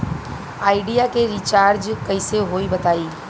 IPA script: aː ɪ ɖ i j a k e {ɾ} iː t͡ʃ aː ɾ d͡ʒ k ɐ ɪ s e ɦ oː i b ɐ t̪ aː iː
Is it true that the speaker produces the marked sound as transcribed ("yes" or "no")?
yes